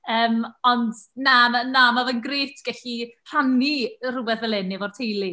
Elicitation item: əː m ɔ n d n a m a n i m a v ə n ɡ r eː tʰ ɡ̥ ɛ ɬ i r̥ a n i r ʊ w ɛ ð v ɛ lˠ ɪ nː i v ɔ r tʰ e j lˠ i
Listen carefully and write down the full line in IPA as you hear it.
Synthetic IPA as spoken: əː m ɔ n d n a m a n a m a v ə n ɡ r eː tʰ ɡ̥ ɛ ɬ i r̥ a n i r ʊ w ɛ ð v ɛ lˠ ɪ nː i v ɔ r tʰ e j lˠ i